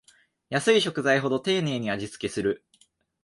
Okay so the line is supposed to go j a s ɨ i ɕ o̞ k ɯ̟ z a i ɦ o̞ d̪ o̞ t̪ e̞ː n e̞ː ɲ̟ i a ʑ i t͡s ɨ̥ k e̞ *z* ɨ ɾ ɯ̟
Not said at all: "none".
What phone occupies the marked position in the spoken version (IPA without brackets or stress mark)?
s